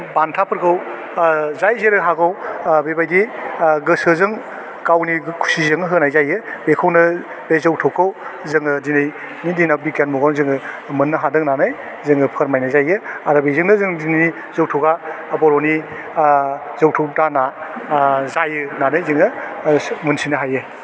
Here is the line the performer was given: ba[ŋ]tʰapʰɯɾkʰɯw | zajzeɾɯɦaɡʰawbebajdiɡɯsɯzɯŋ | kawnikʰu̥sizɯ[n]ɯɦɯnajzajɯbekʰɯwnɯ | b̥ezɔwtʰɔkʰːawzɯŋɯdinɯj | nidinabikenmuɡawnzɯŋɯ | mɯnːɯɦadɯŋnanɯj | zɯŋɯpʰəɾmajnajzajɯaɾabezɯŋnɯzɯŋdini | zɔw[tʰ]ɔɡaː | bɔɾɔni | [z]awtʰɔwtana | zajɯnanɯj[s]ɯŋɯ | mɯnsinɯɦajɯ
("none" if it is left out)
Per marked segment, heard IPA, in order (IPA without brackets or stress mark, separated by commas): n, ŋ, tʰ, z, z